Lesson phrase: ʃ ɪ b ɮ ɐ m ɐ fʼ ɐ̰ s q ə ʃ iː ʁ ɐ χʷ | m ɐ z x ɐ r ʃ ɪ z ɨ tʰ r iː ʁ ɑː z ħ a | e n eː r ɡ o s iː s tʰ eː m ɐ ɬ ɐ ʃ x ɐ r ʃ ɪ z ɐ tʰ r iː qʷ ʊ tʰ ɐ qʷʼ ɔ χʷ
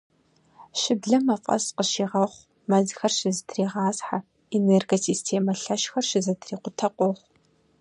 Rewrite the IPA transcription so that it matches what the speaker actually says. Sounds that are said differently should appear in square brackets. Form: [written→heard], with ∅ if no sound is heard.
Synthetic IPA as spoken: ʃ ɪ b ɮ ɐ m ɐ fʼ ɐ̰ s q ə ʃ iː ʁ ɐ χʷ | m ɐ z x ɐ r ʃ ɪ z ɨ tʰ r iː ʁ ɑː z ħ a | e n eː r ɡ o s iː s tʰ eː m ɐ ɬ ɐ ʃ x ɐ r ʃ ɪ z ɐ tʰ r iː qʷ ʊ tʰ ɐ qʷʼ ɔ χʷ